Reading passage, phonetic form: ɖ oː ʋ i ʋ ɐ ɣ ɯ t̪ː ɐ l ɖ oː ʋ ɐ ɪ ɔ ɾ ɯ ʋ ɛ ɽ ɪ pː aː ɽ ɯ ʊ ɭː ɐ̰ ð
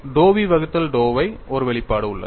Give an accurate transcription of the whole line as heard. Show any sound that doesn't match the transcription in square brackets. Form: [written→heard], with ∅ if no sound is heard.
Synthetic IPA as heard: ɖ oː ʋ i ʋ ɐ ɣ ɯ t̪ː ɐ l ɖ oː ʋ ɐ ɪ ɔ ɾ ɯ ʋ ɛ [ɽ→ɭ] ɪ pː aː ɽ ɯ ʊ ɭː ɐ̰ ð